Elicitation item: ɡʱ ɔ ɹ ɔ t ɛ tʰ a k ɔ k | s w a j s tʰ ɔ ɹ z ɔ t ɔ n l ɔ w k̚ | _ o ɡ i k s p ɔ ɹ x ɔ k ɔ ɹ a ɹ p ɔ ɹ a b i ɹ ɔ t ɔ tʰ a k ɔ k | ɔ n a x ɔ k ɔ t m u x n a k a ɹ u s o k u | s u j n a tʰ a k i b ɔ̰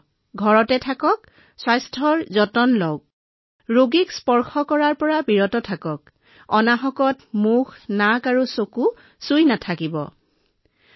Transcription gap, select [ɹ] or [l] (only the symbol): ɹ